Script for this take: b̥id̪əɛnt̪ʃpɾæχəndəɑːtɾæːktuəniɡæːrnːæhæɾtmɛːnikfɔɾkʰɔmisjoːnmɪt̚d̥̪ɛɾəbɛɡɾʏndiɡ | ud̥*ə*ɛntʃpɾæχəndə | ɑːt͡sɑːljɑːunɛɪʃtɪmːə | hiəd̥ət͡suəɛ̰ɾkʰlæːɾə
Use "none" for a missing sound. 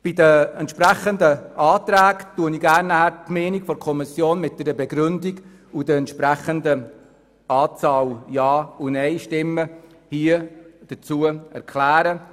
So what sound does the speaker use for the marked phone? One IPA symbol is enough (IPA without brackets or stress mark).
ə